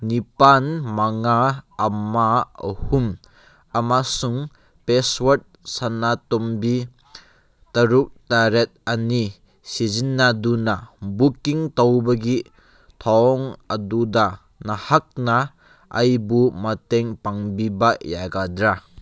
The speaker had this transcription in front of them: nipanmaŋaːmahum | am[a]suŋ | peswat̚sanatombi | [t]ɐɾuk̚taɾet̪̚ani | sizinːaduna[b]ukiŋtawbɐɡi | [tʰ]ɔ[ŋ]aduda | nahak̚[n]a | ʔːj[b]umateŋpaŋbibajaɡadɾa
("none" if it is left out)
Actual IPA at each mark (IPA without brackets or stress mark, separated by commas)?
a, t, b, tʰ, ŋ, n, b